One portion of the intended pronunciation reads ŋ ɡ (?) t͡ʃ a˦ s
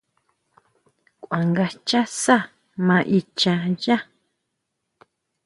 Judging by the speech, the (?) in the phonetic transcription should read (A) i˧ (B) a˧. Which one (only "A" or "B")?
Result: B